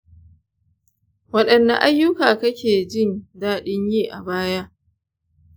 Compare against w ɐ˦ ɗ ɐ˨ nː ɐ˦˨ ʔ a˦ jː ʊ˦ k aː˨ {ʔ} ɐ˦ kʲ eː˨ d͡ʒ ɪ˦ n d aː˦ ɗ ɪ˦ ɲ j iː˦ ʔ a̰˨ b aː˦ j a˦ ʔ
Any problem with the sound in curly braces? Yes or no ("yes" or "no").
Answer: yes